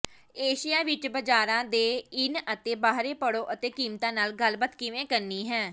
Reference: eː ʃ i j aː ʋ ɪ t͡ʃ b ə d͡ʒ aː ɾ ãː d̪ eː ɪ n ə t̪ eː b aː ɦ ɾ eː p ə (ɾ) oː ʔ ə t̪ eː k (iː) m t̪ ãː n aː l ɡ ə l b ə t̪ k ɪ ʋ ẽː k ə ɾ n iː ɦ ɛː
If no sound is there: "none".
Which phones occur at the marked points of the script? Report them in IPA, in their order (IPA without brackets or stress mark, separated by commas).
ɽ, iː